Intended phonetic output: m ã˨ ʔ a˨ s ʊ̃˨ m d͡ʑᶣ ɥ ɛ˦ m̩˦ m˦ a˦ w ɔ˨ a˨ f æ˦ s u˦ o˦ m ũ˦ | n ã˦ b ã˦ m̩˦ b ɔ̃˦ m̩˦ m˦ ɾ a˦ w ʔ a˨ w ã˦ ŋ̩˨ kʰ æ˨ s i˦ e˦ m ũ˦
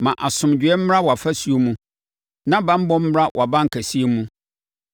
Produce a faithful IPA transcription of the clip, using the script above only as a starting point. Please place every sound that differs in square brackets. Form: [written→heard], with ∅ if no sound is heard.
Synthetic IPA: m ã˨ ʔ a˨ s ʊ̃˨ m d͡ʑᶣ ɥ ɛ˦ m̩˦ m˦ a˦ w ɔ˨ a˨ f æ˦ s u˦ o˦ m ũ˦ | n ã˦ b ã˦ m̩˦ b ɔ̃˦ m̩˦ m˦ ɾ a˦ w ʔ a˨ [w→b] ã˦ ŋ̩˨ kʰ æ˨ s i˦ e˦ m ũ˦